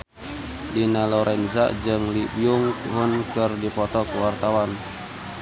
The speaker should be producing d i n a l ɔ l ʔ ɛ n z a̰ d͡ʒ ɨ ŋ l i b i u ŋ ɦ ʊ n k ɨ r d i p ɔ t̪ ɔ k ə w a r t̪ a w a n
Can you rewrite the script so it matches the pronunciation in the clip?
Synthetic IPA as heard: d i n a l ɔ ɾ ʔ ɛ n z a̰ d͡ʒ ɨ ŋ l i b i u ŋ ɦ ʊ n k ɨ r d i p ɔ t̪ ɔ k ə w a r t̪ a w a n